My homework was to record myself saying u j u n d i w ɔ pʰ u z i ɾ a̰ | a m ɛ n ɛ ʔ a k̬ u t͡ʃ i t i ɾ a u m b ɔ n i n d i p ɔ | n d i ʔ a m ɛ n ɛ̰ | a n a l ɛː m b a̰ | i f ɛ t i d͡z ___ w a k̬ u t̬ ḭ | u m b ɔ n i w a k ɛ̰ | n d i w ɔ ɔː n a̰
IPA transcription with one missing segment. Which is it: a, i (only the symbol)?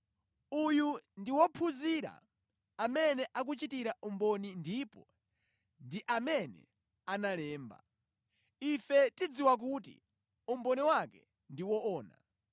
i